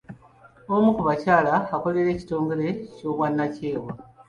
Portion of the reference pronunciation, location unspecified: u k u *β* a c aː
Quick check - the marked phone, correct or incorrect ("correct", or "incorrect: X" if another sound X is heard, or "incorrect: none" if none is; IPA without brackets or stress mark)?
correct